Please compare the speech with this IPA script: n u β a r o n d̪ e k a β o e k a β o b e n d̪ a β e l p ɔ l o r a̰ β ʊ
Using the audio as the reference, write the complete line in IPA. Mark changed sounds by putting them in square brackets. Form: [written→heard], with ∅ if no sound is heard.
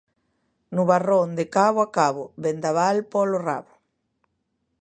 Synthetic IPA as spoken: n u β a r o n d̪ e k a β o [e→a] k a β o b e n d̪ a β [e→a] l p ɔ l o r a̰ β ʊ